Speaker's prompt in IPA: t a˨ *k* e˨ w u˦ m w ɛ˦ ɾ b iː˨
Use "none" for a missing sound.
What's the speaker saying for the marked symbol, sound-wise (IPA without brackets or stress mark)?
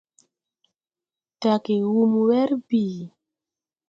k